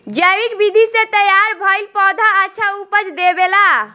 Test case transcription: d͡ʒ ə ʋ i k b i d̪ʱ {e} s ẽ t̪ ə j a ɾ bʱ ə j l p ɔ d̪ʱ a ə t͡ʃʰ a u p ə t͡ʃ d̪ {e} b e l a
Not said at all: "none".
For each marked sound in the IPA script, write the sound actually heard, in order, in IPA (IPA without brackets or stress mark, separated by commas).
i, e